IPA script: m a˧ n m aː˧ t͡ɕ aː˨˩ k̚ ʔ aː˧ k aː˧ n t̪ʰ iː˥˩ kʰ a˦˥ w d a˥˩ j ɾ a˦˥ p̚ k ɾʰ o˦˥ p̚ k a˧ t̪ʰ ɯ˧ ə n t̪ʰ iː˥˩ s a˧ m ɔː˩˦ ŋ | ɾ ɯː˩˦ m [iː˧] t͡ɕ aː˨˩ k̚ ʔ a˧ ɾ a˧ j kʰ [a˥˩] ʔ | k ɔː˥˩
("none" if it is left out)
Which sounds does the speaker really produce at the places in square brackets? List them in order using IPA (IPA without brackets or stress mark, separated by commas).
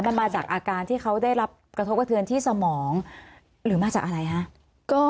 aː˧, a˦˥